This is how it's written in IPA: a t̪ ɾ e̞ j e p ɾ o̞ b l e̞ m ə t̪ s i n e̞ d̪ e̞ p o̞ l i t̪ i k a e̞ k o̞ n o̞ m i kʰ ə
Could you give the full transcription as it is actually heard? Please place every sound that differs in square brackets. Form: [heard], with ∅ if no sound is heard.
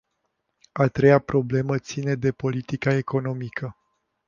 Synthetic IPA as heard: a t̪ ɾ e̞ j [a] p ɾ o̞ b l e̞ m ə t̪ s i n e̞ d̪ e̞ p o̞ l i t̪ i k a e̞ k o̞ n o̞ m i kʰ ə